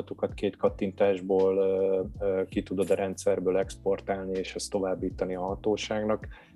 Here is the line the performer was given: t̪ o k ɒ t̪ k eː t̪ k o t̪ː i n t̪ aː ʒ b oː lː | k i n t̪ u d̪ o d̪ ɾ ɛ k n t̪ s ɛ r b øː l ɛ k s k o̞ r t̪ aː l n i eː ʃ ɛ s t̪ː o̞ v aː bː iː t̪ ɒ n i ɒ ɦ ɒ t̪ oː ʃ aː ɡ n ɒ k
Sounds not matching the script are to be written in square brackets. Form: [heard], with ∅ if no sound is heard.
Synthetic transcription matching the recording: t̪ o k ɒ t̪ k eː t̪ k [ɒ] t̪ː i n t̪ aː ʒ b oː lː | k i [∅] t̪ u d̪ o d̪ ɾ ɛ [∅] n t̪ s ɛ r b øː l ɛ k s [p] o̞ r t̪ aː l n i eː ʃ ɛ s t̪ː o̞ v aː bː iː t̪ ɒ n i ɒ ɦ ɒ t̪ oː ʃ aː ɡ n ɒ k